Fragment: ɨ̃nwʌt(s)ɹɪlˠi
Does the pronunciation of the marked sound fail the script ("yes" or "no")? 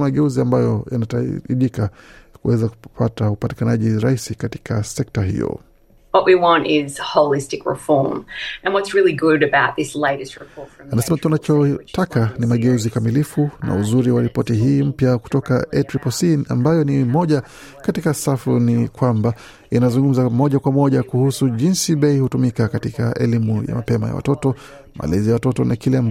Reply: no